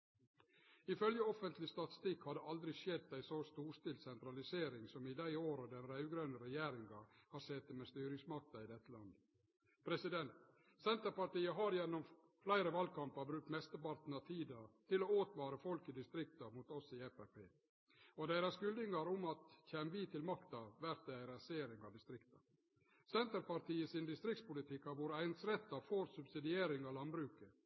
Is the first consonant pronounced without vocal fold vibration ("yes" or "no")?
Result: yes